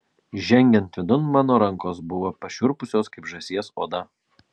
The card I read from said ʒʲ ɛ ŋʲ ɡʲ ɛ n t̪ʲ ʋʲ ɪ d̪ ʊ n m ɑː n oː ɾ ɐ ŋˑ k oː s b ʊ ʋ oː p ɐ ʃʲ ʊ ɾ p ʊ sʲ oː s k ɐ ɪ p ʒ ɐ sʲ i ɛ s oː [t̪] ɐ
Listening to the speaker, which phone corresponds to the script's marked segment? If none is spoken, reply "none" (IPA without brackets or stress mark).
d̪